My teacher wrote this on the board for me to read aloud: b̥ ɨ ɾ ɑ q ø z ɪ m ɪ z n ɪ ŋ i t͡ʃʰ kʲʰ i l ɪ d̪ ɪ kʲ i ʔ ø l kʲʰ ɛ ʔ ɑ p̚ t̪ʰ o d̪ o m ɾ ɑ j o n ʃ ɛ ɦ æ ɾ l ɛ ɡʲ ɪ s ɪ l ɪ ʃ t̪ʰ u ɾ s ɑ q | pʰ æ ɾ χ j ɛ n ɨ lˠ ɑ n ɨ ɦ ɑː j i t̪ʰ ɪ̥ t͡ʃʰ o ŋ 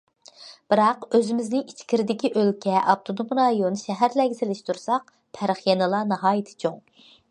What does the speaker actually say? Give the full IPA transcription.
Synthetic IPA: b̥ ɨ ɾ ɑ q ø z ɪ m ɪ z n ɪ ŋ i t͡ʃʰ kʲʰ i ɾ ɪ d̪ ɪ kʲ i ʔ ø l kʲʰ ɛ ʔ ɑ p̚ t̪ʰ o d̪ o m ɾ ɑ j o n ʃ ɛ ɦ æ ɾ l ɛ ɡʲ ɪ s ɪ l ɪ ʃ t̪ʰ u ɾ s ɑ q | pʰ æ ɾ χ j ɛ n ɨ lˠ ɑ n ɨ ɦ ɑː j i t̪ʰ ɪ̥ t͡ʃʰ o ŋ